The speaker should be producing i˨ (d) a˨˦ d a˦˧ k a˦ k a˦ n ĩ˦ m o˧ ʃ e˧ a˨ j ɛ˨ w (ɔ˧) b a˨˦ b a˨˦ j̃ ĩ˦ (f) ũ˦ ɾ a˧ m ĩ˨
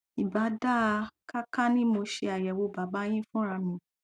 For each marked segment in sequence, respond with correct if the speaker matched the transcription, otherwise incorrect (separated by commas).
incorrect, incorrect, correct